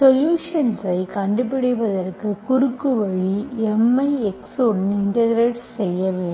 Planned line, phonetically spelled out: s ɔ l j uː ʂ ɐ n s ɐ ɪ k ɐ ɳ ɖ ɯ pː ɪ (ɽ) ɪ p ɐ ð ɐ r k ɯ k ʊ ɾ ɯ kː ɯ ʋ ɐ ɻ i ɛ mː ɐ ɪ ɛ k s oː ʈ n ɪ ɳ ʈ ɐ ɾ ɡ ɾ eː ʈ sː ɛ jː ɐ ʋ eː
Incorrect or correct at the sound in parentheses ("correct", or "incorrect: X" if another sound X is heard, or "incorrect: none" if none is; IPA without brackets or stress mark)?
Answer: correct